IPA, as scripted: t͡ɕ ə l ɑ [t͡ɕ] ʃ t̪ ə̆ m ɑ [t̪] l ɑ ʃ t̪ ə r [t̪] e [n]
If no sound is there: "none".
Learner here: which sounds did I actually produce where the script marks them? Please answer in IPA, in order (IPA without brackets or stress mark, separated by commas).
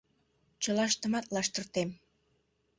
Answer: none, t̪, t̪, m